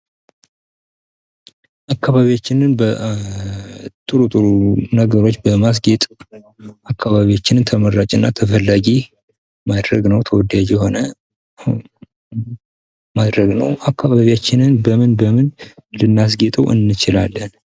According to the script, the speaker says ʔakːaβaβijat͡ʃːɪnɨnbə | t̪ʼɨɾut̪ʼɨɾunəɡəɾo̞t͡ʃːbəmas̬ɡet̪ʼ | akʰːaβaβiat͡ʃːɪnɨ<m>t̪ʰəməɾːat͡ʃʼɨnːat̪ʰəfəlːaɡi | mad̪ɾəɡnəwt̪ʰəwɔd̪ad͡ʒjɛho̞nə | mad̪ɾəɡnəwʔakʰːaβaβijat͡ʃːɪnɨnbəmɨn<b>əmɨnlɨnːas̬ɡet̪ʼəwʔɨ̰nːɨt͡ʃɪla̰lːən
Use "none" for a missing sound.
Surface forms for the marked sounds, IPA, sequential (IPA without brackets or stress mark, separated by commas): n, b